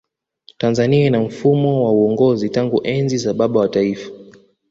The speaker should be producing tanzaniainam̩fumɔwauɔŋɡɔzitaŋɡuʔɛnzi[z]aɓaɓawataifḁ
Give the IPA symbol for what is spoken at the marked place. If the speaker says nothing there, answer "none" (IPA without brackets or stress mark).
z